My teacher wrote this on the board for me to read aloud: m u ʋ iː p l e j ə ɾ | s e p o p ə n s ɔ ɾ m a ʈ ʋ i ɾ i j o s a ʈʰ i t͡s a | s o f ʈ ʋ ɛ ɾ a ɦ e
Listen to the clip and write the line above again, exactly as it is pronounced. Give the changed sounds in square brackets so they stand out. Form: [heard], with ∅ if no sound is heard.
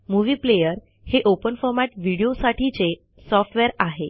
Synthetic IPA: m u ʋ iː p l e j ə ɾ | [h] e [ʔ] o p ə n [f] ɔ ɾ m a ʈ ʋ i [ɽ] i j o s a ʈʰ i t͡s [e] | s [ɔ] f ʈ ʋ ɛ ɾ a ɦ e